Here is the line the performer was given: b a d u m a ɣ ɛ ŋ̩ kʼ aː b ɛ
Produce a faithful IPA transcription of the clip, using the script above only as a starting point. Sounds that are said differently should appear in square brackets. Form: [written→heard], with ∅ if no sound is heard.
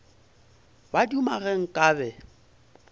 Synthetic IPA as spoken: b a d u m a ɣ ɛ ŋ̩ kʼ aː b ɛ